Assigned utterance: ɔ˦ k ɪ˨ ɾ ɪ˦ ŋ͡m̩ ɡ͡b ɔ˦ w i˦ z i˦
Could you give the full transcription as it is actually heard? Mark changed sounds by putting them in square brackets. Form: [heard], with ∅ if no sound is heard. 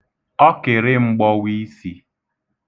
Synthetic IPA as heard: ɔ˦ k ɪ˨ ɾ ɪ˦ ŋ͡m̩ ɡ͡b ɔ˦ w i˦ [s] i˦